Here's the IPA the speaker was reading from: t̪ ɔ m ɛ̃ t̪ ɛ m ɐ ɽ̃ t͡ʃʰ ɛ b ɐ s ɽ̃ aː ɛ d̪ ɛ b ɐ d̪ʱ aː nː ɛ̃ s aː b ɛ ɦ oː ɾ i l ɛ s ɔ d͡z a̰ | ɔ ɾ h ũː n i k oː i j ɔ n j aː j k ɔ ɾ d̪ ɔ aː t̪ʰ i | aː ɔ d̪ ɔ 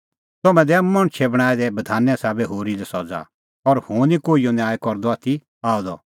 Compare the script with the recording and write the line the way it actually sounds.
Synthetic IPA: t̪ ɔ m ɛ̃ d̪ ɛ m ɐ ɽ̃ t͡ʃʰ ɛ b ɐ ɽ̃ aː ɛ d̪ ɛ b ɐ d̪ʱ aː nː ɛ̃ s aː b ɛ ɦ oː ɾ i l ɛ s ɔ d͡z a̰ | ɔ ɾ h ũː n i k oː i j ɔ n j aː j k ɔ ɾ d̪ ɔ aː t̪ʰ i | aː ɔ d̪ ɔ

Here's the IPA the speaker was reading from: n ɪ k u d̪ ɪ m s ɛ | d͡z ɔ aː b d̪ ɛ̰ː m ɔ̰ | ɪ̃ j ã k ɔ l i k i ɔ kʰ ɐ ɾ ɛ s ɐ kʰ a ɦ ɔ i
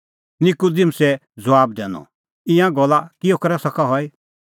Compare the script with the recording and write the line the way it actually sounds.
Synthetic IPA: n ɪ k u d̪ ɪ m s ɛ | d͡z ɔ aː b d̪ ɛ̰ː n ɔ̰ | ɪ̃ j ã ɡ ɔ l a k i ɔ k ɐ ɾ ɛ s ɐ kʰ a ɦ ɔ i

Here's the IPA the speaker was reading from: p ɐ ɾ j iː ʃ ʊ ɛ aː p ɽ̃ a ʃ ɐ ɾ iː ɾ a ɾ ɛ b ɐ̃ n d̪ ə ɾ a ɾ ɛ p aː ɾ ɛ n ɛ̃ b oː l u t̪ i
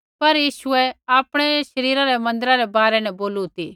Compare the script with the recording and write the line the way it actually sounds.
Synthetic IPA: p ɐ ɾ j iː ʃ ʊ ɛ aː p ɽ̃ ɛ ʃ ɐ ɾ iː ɾ a ɾ ɛ m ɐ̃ n d̪ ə ɾ a ɾ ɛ b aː ɾ ɛ n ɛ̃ b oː l u t̪ i

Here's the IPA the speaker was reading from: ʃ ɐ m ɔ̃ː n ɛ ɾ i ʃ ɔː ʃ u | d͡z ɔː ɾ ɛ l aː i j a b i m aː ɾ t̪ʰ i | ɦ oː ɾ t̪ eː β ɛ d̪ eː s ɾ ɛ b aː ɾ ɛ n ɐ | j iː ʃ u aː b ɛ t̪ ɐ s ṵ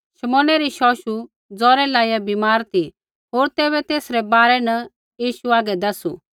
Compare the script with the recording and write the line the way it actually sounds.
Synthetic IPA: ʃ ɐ m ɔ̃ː n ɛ ɾ i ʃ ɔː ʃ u | d͡z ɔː ɾ ɛ l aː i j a b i m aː ɾ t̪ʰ i | ɦ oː ɾ t̪ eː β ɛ t̪ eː s ɾ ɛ b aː ɾ ɛ n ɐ | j iː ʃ u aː ɡ ɛ d̪ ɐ s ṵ

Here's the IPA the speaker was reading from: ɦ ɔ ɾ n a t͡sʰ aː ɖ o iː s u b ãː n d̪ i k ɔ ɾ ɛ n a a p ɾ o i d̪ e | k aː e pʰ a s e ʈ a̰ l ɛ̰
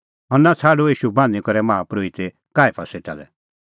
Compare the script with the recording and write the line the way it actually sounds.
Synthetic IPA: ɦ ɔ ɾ n a t͡sʰ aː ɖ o iː ʃ u b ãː n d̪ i k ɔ ɾ ɛ m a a p ɾ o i t̪ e | k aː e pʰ a s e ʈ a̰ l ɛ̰

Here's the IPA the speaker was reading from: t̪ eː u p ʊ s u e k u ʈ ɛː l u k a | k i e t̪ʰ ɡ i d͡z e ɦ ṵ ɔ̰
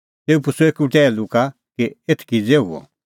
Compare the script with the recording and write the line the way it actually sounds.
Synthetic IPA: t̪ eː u p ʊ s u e k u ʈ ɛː l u k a | k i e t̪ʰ k i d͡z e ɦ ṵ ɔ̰

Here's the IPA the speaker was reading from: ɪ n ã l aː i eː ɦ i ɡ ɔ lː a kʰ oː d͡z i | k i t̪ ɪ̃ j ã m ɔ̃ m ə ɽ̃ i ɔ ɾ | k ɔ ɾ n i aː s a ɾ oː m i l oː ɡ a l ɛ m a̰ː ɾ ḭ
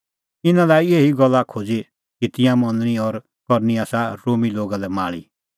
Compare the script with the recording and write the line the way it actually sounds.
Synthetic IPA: ɪ n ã l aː i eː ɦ i ɡ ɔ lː a kʰ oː d͡z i | k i t̪ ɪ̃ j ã m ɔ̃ n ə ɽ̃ i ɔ ɾ | k ɔ ɾ n i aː s a ɾ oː m i l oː ɡ a l ɛ m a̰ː ɭ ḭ

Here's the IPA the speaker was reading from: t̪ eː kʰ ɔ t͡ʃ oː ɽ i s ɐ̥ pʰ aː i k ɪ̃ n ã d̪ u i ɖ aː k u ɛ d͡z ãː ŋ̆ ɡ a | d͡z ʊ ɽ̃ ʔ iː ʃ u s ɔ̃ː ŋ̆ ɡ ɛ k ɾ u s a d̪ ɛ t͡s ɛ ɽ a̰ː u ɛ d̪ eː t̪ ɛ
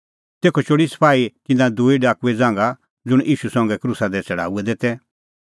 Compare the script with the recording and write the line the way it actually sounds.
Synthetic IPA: t̪ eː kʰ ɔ t͡ʃ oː ɽ i s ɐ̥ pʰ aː i k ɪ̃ n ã d̪ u i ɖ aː k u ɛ d͡z ãː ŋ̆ ɡ a | d͡z ʊ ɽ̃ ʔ iː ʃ u s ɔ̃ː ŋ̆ ɡ ɛ k ɾ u s a d̪ ɛ t͡s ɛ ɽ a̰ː u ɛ d̪ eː t̪ ɛ

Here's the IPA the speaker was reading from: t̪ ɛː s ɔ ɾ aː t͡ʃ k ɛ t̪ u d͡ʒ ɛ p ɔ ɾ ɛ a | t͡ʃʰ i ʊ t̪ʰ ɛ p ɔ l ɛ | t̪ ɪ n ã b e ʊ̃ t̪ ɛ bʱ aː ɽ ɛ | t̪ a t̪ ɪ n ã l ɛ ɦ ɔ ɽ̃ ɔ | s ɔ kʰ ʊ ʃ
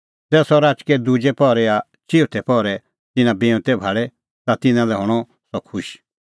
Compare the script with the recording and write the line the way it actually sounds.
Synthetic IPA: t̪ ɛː s ɔ ɾ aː t͡ʃ k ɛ d̪ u d͡ʒ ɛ p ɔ ɾ ɛ a | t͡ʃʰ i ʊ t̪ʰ ɛ p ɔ ɾ ɛ | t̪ ɪ n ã b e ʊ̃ t̪ ɛ bʱ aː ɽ ɛ | t̪ a t̪ ɪ n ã l ɛ ɦ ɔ ɽ̃ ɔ | s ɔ kʰ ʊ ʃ

